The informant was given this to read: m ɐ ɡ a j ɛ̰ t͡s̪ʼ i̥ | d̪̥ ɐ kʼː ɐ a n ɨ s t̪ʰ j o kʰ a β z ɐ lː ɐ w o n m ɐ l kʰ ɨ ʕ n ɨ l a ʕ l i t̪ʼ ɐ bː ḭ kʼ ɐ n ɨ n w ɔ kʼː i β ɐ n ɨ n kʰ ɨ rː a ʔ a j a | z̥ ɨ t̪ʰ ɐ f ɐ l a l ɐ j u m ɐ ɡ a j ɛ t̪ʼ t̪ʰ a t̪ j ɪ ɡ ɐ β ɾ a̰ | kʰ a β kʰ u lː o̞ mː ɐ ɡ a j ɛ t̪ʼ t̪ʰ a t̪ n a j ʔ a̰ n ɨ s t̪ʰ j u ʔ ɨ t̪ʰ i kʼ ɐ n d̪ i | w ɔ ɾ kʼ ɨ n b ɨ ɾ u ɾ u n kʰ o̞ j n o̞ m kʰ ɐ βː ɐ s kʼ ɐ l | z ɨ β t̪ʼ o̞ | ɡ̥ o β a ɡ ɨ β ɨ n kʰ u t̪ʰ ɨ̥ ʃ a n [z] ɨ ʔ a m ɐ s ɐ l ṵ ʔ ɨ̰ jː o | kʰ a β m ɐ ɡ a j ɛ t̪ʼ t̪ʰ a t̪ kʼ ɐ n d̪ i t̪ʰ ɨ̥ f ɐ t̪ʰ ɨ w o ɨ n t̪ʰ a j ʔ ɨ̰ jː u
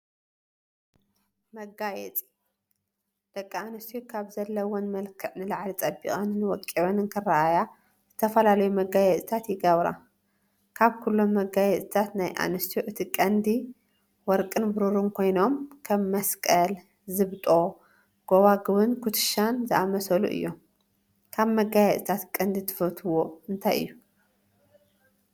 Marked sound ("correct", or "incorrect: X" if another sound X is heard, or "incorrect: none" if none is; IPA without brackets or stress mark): correct